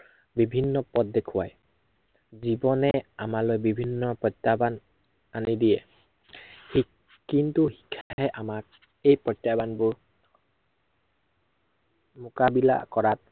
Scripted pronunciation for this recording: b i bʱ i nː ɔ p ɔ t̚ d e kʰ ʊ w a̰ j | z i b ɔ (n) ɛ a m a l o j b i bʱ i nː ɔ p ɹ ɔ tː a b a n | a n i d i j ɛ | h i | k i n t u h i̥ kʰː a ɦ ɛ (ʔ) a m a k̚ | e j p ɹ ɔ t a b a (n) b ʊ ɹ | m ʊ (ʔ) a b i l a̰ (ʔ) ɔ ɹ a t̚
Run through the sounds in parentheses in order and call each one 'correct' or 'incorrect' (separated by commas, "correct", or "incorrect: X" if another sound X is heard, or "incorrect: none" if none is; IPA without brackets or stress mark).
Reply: correct, correct, correct, incorrect: k, incorrect: k